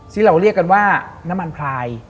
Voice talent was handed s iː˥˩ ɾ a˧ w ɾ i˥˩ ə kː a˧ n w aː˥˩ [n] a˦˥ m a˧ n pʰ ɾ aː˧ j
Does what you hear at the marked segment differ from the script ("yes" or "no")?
no